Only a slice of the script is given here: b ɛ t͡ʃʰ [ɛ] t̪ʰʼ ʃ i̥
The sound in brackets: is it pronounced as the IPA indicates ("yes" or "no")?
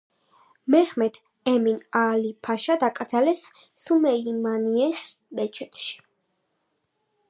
yes